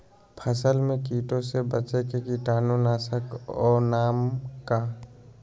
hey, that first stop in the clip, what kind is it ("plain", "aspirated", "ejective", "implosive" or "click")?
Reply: aspirated